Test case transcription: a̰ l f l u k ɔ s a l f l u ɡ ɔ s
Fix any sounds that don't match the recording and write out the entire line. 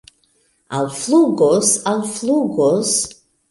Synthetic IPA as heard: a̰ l f l u ɡ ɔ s a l f l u ɡ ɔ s